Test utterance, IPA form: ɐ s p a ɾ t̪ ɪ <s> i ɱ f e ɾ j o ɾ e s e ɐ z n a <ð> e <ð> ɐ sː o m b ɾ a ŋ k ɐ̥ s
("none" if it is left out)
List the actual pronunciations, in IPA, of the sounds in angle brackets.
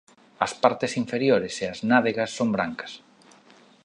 s, ð, ɣ

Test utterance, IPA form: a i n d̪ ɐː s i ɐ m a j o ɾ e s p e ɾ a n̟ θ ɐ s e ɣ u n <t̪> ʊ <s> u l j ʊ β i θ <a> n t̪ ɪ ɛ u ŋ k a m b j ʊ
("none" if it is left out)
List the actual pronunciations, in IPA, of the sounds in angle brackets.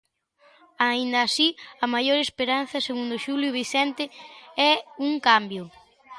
d̪, ʃ, ɛ

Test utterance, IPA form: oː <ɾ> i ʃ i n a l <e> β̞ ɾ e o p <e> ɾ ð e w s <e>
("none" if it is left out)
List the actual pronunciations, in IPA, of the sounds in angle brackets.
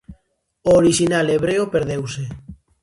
ɾ, e, e, e

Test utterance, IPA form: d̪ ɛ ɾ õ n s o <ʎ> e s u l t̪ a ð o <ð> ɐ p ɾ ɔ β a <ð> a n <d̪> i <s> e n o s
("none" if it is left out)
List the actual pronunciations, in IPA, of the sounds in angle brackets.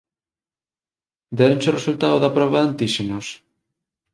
r, ð, ð, t̪, ʃ

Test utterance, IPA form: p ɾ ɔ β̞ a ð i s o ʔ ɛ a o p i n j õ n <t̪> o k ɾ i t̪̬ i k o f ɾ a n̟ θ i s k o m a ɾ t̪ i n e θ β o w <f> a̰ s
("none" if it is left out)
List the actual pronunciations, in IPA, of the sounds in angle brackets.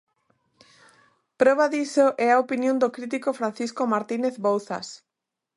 d̪, θ

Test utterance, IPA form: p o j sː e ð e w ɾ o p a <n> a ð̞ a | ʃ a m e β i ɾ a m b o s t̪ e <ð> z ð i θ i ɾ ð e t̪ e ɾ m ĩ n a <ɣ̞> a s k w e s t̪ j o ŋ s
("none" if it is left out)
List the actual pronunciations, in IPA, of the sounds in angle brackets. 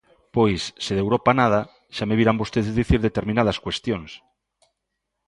n, ð, ð̞

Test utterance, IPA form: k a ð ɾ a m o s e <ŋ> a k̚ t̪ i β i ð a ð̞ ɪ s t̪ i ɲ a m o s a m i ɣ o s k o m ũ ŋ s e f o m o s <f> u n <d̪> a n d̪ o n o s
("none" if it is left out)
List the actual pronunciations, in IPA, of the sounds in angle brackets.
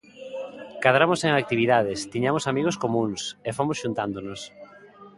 ŋ, ʃ, t̪

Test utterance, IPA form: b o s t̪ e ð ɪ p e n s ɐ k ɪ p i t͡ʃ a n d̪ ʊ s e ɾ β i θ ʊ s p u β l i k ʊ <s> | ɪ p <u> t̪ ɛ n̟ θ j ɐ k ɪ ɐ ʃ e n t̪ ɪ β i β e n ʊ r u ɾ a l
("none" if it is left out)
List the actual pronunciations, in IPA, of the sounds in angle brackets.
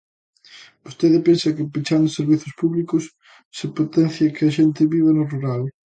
sː, o

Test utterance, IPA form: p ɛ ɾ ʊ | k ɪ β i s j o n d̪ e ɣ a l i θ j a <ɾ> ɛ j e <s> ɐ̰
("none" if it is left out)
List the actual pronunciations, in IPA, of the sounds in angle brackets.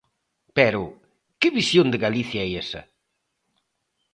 none, s

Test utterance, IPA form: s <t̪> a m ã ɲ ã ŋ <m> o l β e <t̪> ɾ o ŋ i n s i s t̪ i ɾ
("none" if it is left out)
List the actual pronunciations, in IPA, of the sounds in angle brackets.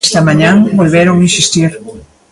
t̪, b, none

